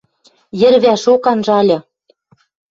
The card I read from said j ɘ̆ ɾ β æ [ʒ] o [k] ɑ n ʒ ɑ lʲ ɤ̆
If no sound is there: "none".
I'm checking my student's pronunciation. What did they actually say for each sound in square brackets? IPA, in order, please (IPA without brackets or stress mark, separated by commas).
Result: ʃ, k